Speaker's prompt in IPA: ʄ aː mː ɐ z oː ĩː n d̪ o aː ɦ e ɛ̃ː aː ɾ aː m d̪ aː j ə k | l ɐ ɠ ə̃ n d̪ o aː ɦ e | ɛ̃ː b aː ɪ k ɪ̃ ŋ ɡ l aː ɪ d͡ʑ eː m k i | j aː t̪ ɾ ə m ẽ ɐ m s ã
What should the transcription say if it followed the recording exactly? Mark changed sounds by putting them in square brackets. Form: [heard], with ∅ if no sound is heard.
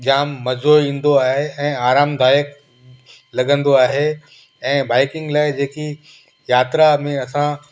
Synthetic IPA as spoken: ʄ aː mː ɐ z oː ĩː n d̪ o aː ɦ e ɛ̃ː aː ɾ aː m d̪ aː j ə k | l ɐ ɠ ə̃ n d̪ o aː ɦ e | ɛ̃ː b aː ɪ k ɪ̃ ŋ ɡ l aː ɪ d͡ʑ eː [∅] k i | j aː t̪ ɾ [a] m ẽ ɐ [∅] s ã